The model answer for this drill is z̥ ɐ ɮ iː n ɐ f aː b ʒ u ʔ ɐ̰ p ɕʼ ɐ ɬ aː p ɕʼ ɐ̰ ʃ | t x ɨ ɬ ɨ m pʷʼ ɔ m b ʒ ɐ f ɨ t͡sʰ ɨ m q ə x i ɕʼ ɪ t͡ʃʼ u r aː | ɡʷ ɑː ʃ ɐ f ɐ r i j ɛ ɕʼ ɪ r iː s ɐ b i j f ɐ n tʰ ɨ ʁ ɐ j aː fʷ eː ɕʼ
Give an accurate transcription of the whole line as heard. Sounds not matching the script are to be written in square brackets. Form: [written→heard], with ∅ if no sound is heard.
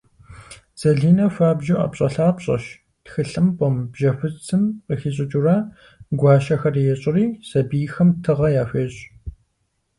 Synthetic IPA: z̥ ɐ ɮ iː n ɐ f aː b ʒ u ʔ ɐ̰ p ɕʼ ɐ ɬ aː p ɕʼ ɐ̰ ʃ | t x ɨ ɬ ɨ m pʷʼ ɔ m b ʒ ɐ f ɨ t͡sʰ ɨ m q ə x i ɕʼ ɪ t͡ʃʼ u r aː | ɡʷ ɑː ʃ ɐ [f→x] ɐ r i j ɛ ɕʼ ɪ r iː s ɐ b i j [f→x] ɐ [n→m] tʰ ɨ ʁ ɐ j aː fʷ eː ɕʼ